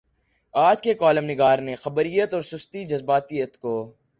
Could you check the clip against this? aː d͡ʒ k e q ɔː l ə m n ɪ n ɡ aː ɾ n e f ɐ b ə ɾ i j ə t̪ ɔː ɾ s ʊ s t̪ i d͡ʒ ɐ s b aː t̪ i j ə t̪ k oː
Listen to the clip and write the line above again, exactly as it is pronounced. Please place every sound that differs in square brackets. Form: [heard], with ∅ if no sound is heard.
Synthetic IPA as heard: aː d͡ʒ k e [k] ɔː l ə m n ɪ [∅] ɡ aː ɾ n e [x] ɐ b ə ɾ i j ə t̪ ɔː ɾ s ʊ s t̪ i d͡ʒ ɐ [z] b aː t̪ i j ə t̪ k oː